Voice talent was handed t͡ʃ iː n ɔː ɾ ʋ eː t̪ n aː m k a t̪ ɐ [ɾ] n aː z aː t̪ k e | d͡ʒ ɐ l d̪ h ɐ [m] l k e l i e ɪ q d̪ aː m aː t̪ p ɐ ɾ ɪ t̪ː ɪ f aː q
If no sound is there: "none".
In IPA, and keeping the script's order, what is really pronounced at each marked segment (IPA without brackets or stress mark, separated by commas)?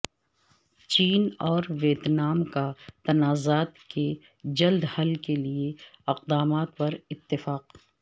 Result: none, none